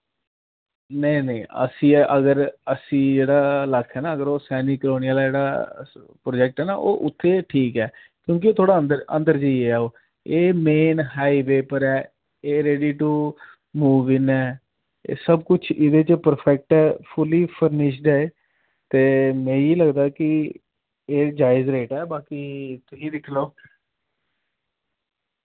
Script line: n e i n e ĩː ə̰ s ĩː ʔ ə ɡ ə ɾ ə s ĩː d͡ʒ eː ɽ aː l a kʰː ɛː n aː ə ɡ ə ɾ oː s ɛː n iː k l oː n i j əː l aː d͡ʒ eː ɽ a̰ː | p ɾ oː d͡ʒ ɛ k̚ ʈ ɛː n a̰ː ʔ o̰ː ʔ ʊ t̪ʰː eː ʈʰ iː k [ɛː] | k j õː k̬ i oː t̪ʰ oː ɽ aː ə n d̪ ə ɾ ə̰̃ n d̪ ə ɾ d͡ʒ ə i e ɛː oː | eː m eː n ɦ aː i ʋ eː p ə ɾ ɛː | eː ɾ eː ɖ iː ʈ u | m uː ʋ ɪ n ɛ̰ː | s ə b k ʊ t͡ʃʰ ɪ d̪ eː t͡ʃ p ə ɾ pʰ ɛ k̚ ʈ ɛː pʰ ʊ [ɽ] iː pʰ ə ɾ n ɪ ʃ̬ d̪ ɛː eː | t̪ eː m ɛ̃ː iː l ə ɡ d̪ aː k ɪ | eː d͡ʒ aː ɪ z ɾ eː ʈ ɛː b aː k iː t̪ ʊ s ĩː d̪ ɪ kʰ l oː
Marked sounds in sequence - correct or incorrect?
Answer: correct, incorrect: l

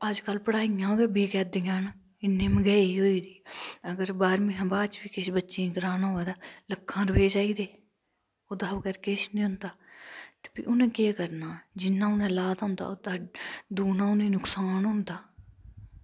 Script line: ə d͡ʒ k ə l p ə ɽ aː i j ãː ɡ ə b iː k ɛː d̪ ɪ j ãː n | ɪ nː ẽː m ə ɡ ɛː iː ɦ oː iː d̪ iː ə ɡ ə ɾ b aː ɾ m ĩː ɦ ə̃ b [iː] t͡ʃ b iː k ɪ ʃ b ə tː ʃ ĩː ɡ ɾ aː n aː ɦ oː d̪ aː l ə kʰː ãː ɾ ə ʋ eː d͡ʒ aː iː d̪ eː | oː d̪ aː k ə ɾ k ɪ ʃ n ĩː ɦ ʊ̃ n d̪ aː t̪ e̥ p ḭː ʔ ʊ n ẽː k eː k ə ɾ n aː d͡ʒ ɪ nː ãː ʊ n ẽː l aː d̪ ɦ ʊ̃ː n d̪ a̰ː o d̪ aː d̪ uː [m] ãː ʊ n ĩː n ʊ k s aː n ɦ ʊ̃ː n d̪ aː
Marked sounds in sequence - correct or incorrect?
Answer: incorrect: aː, incorrect: n

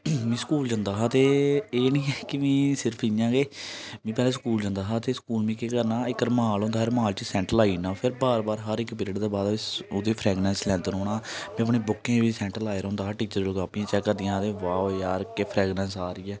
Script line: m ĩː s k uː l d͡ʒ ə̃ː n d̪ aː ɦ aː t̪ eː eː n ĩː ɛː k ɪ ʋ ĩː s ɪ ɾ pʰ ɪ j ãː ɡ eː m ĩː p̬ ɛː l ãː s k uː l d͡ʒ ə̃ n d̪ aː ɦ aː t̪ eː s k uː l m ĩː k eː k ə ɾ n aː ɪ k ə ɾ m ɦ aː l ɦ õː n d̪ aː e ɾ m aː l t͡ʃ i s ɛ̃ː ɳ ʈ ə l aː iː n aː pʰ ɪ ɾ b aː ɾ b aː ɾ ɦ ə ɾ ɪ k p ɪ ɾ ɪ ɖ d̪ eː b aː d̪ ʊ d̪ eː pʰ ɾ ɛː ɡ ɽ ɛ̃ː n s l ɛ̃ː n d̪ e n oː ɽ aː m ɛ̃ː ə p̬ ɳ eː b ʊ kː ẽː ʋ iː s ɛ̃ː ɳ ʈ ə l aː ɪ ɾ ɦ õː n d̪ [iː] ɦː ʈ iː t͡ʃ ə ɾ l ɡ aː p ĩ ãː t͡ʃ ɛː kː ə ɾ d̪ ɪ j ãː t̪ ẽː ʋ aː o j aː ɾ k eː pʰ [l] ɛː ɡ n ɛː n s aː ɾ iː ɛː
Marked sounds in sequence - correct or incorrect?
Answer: incorrect: aː, incorrect: ɾ

